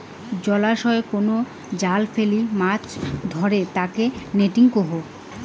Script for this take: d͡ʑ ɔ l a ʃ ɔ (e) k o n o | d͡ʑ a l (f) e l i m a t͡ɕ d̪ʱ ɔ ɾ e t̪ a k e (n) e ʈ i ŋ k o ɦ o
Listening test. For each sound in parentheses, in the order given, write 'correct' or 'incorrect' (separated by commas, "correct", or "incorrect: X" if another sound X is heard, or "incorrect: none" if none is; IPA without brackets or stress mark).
correct, correct, correct